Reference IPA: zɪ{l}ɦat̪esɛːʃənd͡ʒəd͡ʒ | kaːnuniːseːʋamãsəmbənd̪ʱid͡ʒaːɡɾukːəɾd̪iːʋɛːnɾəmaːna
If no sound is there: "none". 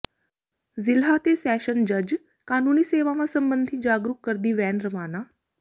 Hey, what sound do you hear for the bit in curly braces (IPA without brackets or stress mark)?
l